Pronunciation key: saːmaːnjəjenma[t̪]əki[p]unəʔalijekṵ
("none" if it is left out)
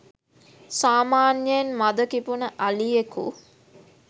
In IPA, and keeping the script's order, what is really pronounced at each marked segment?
d̪, p

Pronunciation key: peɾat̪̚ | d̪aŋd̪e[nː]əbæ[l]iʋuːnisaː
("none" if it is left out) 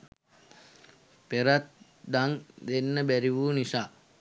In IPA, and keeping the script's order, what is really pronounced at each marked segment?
nː, ɾ

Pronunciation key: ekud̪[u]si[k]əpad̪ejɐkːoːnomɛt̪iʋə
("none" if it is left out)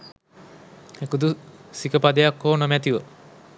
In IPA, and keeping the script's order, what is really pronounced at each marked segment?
u, k

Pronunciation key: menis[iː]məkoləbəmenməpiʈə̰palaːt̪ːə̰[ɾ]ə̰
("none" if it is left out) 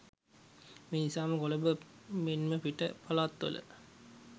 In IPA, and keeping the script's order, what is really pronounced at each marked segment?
aː, l

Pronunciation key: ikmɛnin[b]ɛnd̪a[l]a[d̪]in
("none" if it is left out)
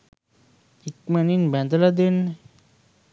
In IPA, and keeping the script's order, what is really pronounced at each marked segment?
b, l, d̪

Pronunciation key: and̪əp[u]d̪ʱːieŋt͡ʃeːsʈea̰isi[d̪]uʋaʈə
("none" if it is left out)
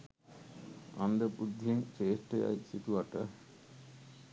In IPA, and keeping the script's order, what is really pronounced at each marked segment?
u, t̪

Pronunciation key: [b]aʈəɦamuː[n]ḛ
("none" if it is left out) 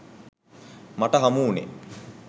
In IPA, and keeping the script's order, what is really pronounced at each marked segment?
m, n

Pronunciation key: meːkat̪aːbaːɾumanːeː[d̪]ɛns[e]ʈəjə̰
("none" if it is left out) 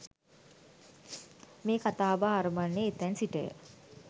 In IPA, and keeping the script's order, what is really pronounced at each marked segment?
t̪, i

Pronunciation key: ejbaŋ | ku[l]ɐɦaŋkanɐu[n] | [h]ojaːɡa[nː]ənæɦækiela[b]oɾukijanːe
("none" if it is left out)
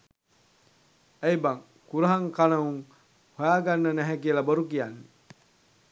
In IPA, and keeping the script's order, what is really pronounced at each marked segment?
ɾ, ŋ, h, nː, b

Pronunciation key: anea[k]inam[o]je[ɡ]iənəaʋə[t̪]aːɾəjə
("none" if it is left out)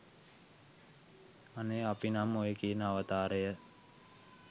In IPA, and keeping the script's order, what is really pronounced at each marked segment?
p, o, k, t̪

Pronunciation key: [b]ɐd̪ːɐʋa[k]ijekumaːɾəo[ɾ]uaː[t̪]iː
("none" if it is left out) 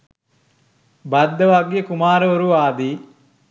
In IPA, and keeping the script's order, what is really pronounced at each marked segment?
b, ɡ, ɾ, d̪

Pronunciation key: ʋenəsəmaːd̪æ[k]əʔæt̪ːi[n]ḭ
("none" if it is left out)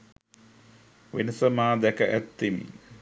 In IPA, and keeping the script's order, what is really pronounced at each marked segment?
k, m

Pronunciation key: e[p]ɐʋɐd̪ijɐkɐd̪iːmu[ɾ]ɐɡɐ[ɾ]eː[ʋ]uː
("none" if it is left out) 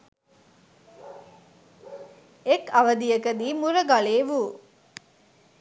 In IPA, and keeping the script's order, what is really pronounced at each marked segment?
k, ɾ, ɭ, ʋ

